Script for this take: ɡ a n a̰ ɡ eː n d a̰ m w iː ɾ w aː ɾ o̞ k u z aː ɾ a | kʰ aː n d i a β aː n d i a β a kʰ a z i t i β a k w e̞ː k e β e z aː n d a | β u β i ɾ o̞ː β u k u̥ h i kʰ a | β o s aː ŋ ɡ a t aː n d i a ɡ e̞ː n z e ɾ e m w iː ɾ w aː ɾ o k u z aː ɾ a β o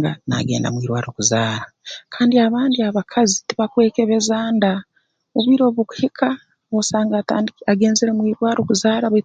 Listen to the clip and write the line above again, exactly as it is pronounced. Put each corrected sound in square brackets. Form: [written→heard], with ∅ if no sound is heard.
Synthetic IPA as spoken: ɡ a n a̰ ɡ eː n d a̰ m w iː ɾ w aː ɾ o̞ k u z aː ɾ a | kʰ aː n d i a β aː n d i a β a kʰ a z i t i β a k w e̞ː k e β e z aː n d a | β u β i ɾ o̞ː β u k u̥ h i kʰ a | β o s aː ŋ ɡ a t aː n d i a ɡ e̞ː n z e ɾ e m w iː ɾ w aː ɾ o k u z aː ɾ a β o

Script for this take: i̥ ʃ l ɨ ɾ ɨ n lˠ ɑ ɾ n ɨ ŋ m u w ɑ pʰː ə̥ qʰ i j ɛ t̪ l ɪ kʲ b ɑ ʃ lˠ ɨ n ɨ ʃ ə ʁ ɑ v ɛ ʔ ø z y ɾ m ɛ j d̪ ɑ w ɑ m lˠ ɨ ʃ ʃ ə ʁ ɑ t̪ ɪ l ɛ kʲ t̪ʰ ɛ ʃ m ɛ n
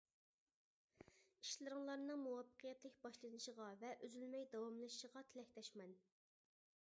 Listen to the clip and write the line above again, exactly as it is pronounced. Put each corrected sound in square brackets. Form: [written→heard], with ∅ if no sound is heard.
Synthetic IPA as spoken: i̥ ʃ l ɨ ɾ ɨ [n→ŋ] lˠ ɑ ɾ n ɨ ŋ m u w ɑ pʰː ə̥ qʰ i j ɛ t̪ l ɪ kʲ b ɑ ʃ lˠ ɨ n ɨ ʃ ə ʁ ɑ v ɛ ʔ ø z y [ɾ→l] m ɛ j d̪ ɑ w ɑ m lˠ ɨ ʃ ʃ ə ʁ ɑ [t̪→t̪ʰ] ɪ l ɛ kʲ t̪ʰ ɛ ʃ m ɛ n

